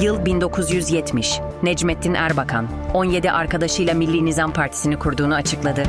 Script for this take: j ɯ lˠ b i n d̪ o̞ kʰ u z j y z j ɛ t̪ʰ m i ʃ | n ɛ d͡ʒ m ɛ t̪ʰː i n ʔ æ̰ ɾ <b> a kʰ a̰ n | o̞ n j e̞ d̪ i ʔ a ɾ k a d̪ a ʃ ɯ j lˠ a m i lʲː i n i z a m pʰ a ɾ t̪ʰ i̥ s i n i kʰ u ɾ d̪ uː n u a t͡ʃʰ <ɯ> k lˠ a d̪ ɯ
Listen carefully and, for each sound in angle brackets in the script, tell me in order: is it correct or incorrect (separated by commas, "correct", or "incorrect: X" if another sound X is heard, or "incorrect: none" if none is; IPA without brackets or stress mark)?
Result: correct, correct